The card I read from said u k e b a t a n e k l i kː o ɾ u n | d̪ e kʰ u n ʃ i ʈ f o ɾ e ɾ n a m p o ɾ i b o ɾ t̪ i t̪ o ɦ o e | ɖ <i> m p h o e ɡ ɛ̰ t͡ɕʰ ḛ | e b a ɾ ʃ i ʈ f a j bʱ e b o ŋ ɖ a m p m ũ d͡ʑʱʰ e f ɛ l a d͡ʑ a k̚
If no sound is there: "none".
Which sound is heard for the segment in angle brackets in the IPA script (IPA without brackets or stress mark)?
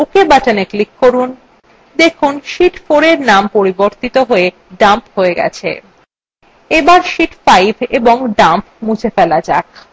a